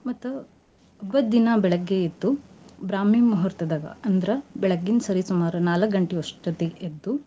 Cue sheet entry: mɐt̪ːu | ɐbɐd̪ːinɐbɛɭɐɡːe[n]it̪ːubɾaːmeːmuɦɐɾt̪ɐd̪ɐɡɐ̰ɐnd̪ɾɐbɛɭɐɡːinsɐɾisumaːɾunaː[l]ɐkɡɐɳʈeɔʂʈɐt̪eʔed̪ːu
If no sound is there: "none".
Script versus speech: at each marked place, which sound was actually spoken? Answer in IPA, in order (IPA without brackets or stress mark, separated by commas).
none, l